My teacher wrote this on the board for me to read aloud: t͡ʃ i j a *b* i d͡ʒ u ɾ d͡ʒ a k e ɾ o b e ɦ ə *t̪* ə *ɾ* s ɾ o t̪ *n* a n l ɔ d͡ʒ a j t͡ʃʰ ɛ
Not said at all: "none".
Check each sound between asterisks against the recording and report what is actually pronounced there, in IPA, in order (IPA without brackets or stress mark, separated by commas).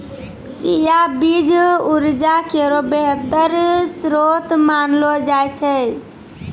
b, t̪, ɾ, m